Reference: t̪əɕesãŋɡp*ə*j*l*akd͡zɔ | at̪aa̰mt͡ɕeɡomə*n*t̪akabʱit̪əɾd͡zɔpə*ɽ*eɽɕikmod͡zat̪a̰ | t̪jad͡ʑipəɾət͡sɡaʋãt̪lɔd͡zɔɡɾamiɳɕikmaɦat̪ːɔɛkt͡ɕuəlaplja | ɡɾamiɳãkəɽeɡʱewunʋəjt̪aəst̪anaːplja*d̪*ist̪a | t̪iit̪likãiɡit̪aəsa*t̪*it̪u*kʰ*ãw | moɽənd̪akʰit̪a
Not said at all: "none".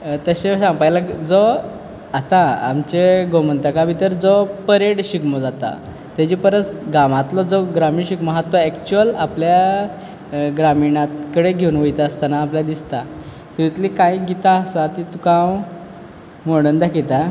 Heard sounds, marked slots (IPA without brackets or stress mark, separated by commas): a, l, n, ɾ, d̪, t̪, k